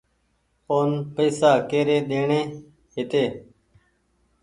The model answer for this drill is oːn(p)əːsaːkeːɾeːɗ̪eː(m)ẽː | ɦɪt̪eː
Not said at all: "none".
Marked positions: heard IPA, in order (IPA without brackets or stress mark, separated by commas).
p, ɳ